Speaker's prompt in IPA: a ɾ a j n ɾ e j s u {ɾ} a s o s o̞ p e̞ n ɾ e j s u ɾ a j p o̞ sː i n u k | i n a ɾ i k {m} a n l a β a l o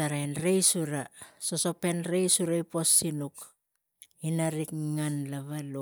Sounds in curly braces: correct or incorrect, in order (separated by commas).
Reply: correct, incorrect